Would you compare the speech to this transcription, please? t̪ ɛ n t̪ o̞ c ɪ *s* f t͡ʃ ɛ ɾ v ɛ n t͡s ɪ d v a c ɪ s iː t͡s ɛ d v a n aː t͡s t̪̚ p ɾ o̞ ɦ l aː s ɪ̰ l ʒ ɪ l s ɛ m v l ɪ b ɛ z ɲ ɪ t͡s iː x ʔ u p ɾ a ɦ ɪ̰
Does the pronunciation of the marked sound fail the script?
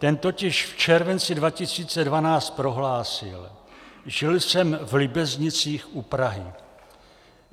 yes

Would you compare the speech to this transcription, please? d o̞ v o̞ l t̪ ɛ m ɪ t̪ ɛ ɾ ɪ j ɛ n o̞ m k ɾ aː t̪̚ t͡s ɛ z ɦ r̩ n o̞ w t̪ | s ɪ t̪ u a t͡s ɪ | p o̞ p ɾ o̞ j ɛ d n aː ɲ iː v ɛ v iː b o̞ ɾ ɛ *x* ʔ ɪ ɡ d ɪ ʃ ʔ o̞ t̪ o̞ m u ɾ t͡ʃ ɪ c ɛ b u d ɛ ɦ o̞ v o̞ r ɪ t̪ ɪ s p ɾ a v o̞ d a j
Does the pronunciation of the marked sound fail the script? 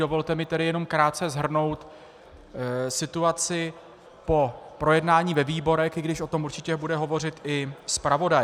no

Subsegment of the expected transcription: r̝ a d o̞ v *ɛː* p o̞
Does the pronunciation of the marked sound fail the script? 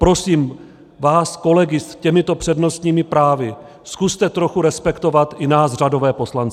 no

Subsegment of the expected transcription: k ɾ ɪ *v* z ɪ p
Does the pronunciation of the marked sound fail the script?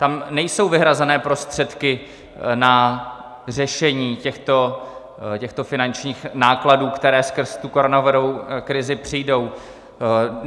yes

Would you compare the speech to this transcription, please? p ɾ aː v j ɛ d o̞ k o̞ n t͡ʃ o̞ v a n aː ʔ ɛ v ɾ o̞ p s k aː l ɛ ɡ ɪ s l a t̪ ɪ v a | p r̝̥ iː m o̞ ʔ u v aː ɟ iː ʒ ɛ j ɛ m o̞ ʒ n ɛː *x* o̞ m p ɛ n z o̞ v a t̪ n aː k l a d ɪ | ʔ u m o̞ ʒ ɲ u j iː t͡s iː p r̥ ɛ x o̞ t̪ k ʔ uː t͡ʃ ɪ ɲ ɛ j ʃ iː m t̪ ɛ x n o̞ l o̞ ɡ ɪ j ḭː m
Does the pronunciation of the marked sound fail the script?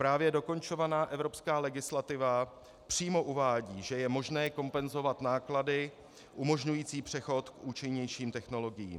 yes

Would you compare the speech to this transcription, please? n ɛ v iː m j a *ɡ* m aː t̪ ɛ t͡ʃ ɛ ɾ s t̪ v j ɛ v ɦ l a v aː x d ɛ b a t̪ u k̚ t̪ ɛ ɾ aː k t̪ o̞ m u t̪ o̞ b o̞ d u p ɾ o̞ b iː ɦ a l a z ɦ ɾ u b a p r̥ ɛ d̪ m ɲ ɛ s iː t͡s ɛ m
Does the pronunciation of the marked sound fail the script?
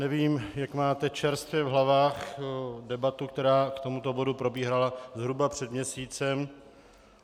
yes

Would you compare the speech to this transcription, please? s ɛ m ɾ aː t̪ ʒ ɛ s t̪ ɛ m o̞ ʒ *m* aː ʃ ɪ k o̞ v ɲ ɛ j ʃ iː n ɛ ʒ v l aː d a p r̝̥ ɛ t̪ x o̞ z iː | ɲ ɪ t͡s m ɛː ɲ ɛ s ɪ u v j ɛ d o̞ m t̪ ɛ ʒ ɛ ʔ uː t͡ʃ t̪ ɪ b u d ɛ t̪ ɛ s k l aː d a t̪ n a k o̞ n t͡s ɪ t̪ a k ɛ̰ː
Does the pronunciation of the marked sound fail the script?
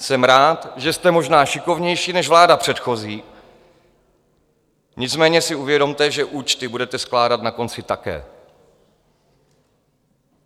yes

